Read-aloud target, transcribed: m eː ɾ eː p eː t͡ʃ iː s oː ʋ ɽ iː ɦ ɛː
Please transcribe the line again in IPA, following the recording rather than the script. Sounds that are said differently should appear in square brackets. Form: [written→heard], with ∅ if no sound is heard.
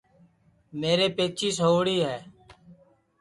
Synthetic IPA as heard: m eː ɾ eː p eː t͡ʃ iː s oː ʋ ɽ iː ɦ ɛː